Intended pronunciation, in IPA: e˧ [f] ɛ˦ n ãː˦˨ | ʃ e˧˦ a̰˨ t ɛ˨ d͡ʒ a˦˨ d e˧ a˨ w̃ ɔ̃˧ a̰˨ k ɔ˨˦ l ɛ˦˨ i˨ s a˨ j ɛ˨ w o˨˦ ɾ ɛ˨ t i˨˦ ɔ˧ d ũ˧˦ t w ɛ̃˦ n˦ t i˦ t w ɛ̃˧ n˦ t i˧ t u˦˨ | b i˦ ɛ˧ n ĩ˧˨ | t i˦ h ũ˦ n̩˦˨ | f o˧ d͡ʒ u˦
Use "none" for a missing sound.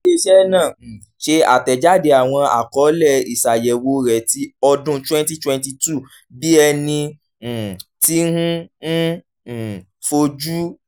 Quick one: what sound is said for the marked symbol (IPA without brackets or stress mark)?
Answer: ʃ